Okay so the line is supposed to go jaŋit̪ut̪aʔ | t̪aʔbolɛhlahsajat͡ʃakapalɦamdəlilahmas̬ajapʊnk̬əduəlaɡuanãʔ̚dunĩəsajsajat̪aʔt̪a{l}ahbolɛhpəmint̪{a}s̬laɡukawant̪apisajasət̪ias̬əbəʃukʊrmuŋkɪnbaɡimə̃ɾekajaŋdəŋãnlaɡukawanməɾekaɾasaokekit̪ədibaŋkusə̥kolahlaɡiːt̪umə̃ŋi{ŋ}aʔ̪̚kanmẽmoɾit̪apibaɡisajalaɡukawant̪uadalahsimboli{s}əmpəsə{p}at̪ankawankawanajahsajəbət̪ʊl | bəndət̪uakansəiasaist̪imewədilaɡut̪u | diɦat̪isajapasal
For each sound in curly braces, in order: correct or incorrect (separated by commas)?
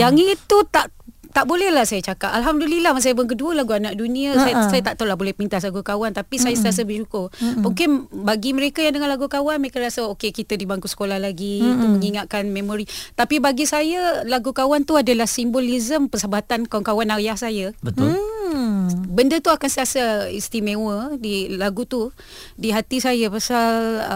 correct, correct, correct, incorrect, incorrect